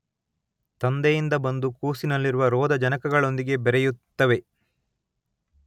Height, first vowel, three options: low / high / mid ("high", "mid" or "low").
low